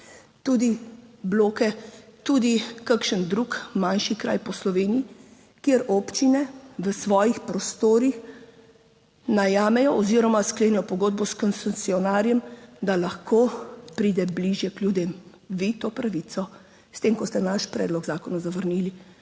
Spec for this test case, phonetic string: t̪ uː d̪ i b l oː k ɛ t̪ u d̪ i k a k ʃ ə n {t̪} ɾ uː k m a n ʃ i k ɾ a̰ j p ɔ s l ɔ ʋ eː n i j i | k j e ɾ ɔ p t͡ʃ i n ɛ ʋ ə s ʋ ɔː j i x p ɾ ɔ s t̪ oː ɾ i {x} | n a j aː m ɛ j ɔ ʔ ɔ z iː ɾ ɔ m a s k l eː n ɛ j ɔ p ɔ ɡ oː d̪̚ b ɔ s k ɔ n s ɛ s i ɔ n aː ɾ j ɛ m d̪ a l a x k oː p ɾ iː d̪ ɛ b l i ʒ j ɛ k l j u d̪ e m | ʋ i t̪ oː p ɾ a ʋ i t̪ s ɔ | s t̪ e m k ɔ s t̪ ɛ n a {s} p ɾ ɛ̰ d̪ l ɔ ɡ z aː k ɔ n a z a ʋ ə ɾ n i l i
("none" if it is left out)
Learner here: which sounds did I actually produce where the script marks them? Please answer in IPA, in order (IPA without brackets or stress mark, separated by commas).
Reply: d̪, x, ʃ